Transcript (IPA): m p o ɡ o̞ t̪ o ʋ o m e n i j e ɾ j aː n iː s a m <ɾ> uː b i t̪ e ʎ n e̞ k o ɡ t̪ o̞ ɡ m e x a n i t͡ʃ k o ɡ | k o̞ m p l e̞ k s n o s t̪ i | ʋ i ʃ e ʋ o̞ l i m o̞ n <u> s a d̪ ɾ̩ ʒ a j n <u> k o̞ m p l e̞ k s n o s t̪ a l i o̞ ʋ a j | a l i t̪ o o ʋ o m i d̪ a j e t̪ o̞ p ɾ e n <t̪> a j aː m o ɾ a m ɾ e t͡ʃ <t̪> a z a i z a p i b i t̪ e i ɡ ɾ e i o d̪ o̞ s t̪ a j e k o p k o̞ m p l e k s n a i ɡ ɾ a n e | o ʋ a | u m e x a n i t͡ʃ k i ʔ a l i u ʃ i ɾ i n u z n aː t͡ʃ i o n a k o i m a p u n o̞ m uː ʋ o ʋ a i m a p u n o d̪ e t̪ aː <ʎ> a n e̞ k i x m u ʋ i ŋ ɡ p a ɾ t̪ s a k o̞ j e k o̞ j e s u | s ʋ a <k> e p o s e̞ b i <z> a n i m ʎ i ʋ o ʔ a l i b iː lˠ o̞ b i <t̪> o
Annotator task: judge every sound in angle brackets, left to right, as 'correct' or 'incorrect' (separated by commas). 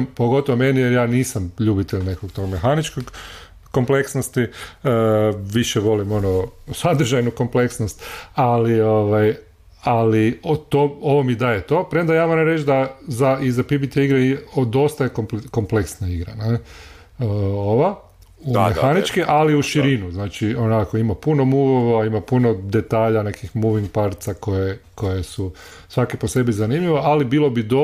incorrect, incorrect, correct, incorrect, incorrect, correct, correct, correct, incorrect